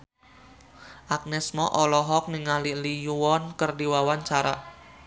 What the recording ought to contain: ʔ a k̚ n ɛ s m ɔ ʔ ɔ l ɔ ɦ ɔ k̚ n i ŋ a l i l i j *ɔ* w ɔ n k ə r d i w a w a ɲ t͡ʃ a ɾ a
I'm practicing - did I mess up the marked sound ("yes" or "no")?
yes